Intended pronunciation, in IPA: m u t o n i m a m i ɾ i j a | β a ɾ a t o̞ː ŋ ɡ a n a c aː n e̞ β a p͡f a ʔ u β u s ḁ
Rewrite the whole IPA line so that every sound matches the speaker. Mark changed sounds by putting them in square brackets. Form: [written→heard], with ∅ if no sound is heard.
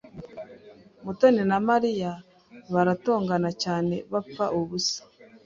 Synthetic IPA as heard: m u t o n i [m→n] a m [i→a] ɾ i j a | β a ɾ a t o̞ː ŋ ɡ a n a c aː n e̞ β a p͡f a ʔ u β u s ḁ

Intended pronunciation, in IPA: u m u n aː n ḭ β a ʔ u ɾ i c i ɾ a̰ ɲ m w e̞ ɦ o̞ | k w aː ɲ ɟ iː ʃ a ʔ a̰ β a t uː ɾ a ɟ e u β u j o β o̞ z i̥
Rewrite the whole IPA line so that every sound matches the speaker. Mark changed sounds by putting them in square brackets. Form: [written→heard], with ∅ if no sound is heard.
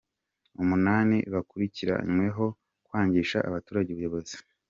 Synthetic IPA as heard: u m u n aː n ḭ β a [ʔ→k] u ɾ i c i ɾ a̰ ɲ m w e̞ ɦ o̞ | k w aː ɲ ɟ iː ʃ a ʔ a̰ β a t uː ɾ a ɟ e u β u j o β o̞ z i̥

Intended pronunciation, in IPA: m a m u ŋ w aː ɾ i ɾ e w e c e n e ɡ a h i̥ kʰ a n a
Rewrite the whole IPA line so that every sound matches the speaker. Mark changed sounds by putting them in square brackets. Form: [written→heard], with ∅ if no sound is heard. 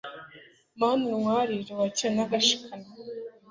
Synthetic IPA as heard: m a [m→n] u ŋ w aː ɾ i ɾ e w [e→a] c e n [e→a] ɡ a [h→ʃ] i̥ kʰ a n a

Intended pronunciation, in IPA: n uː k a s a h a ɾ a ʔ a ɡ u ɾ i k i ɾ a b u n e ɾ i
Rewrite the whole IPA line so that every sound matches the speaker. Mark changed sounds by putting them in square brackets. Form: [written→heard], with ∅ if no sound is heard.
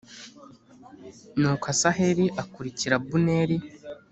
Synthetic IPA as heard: n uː k a s a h [a→e] ɾ [a→i] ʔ a [ɡ→k] u ɾ i [k→c] i ɾ a b u n e ɾ i

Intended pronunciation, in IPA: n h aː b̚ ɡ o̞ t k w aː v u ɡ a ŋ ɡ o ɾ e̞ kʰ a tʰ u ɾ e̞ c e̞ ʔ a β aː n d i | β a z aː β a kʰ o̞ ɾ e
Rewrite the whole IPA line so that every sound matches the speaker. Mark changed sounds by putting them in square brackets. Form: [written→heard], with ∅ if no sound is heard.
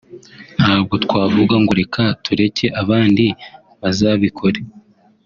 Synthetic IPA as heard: n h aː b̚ ɡ o̞ t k w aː v u ɡ a ŋ ɡ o ɾ e̞ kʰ a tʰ u ɾ e̞ c e̞ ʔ a β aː n d i | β a z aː β [a→i] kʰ o̞ ɾ e

